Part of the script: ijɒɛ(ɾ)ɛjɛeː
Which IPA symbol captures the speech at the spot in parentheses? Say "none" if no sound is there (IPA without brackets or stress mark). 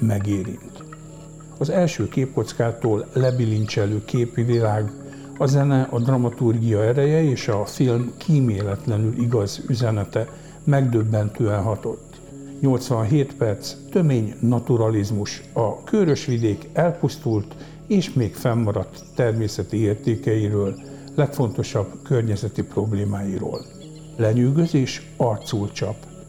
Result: ɾ